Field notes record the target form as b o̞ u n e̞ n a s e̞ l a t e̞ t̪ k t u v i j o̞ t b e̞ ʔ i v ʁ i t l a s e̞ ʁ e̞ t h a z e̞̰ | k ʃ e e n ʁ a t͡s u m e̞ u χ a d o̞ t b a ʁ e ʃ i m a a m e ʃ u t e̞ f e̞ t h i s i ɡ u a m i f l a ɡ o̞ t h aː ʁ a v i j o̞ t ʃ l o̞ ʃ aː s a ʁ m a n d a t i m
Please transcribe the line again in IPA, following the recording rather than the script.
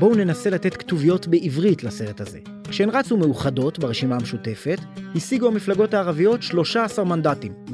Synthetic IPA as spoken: b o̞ u n e̞ n a s e̞ l a t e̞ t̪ k t u v i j o̞ t b e̞ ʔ i v ʁ i t l a s e̞ ʁ e̞ t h a z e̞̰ | k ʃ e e n ʁ a t͡s u m e̞ u χ a d o̞ t b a ʁ e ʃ i m a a m e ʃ u t e̞ f e̞ t h i s i ɡ u a m i f l a ɡ o̞ t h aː ʁ a v i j o̞ t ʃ l o̞ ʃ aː s a ʁ m a n d a t i m